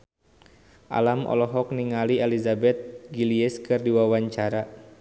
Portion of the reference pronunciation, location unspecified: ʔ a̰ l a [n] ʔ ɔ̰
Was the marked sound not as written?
yes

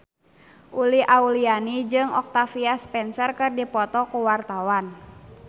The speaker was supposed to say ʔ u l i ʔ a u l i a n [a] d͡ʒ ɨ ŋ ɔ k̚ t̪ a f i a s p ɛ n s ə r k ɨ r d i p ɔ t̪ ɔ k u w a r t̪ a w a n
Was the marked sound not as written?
yes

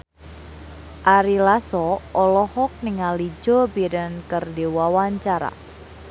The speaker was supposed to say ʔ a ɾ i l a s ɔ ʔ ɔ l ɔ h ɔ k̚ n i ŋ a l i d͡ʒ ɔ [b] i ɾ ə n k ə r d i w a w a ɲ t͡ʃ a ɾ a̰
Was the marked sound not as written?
no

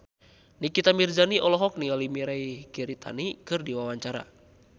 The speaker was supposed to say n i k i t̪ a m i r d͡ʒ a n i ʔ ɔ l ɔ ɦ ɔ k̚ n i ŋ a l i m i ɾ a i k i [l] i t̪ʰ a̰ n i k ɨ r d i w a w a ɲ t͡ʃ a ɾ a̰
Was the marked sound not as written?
yes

